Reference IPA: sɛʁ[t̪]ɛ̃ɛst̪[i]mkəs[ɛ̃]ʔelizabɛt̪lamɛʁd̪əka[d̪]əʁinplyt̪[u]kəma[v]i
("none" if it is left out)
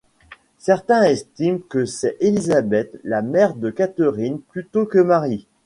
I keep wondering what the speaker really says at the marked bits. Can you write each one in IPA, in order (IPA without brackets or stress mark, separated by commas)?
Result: t̪, i, ɛ, t̪, o, ʁ